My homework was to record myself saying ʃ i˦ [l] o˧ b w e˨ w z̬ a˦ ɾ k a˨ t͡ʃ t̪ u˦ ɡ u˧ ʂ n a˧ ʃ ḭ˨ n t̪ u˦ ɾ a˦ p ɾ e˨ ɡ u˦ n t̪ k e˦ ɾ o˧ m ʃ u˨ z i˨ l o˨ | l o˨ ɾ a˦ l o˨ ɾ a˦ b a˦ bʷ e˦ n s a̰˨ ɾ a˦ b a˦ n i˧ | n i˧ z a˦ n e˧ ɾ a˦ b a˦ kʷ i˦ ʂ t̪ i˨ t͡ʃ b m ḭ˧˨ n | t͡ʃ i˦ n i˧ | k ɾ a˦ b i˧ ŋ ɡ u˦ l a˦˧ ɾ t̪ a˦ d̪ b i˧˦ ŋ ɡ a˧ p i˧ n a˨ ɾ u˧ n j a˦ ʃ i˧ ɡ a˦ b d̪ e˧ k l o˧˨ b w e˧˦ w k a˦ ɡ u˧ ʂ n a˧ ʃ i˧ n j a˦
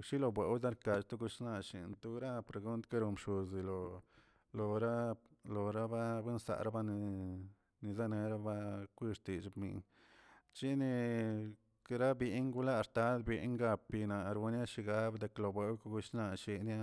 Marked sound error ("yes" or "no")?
no